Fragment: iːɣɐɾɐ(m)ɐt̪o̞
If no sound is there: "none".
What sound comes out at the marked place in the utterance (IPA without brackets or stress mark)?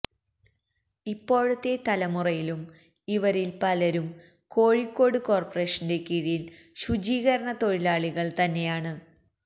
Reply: ɳ